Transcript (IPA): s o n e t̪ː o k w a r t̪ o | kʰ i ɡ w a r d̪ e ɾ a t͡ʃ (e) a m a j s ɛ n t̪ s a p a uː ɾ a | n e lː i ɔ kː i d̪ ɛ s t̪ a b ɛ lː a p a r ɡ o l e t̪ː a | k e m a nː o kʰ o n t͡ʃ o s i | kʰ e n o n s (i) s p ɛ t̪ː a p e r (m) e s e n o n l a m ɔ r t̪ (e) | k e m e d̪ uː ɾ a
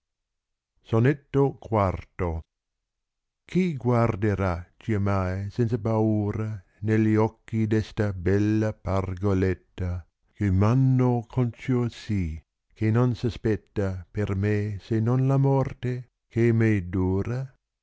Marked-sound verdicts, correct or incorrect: incorrect: i, incorrect: a, correct, correct

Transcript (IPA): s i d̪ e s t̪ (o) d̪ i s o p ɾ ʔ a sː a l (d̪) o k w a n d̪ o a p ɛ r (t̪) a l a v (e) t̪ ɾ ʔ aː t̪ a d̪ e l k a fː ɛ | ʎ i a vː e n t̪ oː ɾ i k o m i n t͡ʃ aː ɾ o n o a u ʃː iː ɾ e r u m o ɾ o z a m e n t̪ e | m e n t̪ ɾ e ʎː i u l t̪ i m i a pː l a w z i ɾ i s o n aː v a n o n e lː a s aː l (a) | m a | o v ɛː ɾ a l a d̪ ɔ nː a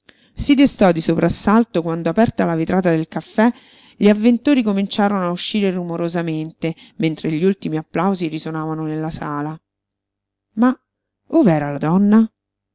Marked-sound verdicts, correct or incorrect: incorrect: ɔ, incorrect: t̪, correct, incorrect: i, correct

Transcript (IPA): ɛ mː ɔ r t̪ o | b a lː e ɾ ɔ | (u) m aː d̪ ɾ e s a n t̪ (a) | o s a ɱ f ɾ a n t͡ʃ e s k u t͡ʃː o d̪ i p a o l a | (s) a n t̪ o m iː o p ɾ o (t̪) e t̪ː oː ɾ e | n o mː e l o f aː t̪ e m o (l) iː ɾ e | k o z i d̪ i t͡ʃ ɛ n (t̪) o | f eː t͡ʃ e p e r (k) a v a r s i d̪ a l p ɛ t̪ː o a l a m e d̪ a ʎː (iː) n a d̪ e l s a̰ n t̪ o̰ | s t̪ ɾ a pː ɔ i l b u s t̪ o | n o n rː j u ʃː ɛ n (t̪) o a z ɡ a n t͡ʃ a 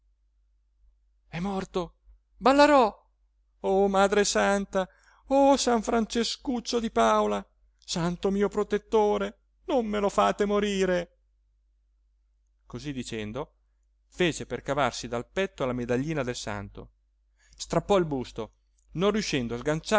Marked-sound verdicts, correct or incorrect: incorrect: o, correct, correct, correct, incorrect: ɾ, incorrect: d̪, correct, correct, incorrect: d̪

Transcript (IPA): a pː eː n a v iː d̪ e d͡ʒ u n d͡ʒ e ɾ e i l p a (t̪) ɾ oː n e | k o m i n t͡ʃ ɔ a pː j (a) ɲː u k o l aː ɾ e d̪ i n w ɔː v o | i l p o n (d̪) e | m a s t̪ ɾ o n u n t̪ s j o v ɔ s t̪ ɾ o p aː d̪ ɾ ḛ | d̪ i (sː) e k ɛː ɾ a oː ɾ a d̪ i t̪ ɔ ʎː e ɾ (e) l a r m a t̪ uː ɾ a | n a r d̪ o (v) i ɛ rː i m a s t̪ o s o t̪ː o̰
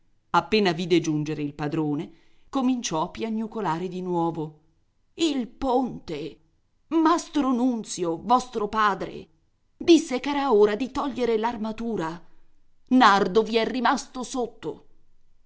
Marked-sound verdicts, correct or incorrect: incorrect: d̪, correct, incorrect: t̪, correct, correct, correct

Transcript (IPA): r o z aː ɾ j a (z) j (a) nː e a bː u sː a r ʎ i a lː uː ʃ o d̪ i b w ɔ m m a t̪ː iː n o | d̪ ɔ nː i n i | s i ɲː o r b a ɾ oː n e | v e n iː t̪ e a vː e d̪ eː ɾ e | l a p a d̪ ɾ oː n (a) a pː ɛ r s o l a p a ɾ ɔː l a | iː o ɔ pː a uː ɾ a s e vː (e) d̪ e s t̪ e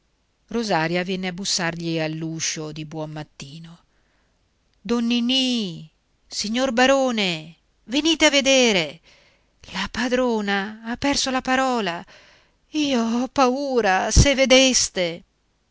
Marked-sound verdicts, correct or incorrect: incorrect: v, incorrect: ɛ, correct, correct

